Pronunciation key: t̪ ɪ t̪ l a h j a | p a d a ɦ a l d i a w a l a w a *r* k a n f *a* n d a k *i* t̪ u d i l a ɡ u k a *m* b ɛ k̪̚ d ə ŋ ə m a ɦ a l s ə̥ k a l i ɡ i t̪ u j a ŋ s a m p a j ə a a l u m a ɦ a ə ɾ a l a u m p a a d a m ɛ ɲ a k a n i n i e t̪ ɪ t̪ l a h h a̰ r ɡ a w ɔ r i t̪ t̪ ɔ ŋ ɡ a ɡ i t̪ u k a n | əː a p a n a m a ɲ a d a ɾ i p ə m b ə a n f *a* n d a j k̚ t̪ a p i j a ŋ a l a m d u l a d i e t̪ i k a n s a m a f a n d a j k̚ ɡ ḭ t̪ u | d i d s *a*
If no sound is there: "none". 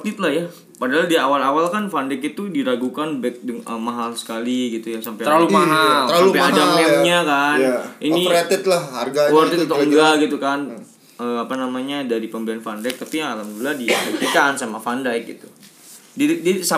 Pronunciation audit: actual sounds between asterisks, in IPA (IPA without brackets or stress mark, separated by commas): l, a, i, n, a, a